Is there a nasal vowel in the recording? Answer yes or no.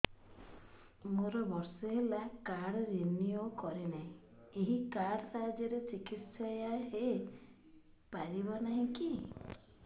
yes